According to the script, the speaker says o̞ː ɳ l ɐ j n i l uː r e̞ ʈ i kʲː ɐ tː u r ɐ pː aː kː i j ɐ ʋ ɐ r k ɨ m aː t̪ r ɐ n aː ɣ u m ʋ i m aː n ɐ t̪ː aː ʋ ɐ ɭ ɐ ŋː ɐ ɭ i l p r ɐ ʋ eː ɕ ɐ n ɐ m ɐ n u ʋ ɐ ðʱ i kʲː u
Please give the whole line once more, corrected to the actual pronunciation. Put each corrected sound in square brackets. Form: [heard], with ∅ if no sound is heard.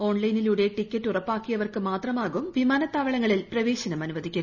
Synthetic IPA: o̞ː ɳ l ɐ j n i l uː [ɽ] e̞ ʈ i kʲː ɐ tː u r ɐ pː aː kː i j ɐ ʋ ɐ r k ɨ m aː t̪ r ɐ [m] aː ɣ u m ʋ i m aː n ɐ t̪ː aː ʋ ɐ ɭ ɐ ŋː ɐ ɭ i l p r ɐ ʋ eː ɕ ɐ n ɐ m ɐ n u ʋ ɐ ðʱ i kʲː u